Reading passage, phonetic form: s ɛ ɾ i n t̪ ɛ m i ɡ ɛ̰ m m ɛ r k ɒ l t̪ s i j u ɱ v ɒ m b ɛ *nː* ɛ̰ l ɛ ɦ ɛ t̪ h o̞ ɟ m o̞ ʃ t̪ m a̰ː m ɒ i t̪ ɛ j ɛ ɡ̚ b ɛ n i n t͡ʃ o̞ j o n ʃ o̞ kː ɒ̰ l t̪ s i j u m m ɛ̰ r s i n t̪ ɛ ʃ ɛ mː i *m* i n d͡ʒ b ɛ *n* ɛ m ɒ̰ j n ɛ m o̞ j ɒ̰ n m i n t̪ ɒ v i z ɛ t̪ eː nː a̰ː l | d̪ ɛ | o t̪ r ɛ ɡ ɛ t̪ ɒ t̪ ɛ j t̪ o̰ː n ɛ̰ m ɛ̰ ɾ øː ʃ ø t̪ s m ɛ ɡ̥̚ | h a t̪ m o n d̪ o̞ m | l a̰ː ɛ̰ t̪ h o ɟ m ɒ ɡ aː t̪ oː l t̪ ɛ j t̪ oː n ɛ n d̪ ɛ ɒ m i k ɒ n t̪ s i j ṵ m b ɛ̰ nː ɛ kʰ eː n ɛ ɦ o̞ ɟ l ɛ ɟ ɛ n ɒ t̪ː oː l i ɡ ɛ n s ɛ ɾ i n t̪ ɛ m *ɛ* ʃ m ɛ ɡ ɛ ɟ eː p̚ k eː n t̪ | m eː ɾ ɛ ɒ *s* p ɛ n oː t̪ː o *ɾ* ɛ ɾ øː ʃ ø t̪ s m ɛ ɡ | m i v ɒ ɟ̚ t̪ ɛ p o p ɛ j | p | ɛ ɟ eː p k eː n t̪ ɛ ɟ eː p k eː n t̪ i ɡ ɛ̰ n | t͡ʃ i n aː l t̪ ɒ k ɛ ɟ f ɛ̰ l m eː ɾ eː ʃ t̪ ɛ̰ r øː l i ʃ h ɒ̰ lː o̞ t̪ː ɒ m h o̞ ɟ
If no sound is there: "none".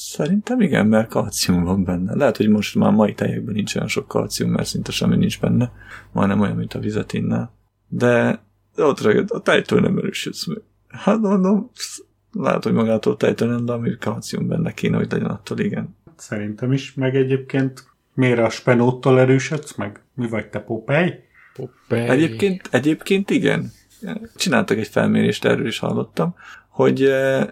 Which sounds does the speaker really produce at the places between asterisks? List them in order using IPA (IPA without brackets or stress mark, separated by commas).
nː, n, nː, i, ʃ, l